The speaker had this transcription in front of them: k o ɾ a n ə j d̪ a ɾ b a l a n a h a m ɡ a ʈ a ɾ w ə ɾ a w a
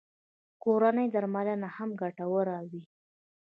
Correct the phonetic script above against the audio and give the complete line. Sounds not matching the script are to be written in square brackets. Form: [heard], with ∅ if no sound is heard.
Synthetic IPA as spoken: k o ɾ a n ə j d̪ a ɾ [m] a l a n a h a m ɡ a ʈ a [∅] w ə ɾ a w [i]